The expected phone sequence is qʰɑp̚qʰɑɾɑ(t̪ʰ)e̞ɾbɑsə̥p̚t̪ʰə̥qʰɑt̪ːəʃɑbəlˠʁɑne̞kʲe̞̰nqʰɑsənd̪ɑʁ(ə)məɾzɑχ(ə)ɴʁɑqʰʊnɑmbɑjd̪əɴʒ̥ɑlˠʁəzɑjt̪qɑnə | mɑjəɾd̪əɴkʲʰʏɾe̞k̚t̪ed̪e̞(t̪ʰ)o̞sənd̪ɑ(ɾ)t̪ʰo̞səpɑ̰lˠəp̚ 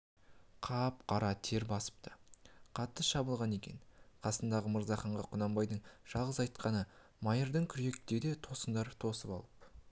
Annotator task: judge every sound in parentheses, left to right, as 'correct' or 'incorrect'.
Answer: correct, correct, incorrect, correct, correct

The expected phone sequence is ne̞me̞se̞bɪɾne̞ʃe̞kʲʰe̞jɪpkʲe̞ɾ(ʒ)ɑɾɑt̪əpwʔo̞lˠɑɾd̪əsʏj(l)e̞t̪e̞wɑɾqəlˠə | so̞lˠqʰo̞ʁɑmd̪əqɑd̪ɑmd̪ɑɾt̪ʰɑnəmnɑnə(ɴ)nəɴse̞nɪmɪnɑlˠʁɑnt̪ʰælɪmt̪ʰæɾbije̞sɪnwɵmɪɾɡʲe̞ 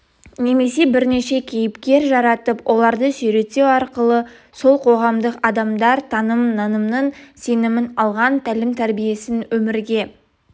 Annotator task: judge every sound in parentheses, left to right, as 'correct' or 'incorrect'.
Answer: correct, incorrect, incorrect

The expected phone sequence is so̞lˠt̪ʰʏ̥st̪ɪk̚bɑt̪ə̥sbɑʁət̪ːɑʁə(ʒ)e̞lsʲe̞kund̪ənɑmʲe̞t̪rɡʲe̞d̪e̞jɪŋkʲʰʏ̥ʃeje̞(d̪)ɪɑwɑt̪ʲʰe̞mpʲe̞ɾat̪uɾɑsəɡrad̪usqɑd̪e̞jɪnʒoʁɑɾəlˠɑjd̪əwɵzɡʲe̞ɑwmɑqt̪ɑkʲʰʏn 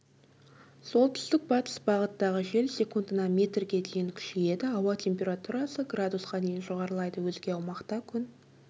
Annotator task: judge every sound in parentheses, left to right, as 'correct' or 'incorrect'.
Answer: correct, correct

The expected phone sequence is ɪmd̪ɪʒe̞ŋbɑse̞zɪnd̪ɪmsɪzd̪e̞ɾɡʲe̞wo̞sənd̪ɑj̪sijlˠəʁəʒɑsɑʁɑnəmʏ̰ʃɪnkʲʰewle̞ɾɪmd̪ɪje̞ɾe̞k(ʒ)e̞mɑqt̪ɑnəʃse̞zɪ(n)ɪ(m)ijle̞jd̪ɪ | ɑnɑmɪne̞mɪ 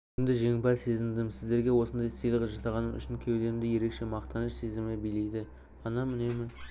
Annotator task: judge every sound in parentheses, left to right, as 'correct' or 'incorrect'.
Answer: incorrect, incorrect, incorrect

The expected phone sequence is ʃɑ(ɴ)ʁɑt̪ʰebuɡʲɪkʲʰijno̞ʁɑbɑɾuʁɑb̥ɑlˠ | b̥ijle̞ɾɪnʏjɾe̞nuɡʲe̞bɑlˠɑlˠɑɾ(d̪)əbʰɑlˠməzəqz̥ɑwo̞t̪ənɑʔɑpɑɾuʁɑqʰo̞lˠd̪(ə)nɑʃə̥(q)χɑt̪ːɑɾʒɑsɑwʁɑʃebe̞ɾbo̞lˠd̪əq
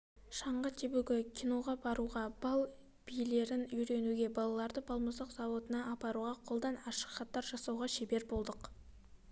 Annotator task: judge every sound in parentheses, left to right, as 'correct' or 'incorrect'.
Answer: correct, correct, incorrect, correct

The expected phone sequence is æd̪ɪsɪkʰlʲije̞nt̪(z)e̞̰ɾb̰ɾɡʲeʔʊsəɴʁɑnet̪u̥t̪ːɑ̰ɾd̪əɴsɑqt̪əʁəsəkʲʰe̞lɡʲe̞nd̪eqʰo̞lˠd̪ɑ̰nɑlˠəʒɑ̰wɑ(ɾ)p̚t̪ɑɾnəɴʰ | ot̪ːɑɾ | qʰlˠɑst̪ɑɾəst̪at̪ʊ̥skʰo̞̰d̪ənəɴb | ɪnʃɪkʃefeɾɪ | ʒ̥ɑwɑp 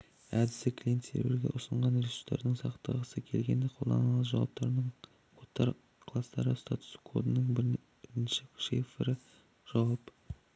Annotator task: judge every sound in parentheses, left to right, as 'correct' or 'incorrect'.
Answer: incorrect, incorrect

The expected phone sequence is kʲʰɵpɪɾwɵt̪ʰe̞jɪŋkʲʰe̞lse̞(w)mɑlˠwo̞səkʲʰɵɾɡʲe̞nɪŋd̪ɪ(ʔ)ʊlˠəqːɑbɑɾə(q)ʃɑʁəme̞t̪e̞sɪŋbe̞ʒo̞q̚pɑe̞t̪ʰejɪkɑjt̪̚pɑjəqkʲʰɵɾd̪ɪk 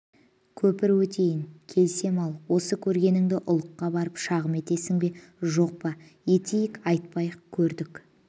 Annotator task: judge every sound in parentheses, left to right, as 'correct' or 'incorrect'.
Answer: incorrect, correct, incorrect

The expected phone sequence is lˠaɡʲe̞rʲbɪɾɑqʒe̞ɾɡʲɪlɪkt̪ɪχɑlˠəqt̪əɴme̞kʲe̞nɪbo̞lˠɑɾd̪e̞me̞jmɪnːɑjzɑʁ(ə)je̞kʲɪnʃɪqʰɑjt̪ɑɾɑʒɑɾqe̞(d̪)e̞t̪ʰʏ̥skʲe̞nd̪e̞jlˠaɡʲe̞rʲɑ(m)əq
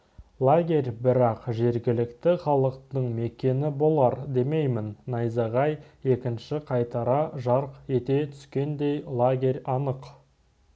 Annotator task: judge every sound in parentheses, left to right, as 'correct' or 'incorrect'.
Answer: incorrect, incorrect, incorrect

